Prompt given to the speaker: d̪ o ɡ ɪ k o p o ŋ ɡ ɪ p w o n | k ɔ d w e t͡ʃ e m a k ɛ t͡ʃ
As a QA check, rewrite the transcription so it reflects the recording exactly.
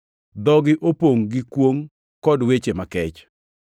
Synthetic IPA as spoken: d̪ ɔ ɡ ɪ ʔ o p o ŋ ɡ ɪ k w o ŋ | k ɔ d w e t͡ʃ e m a k ɛ t͡ʃ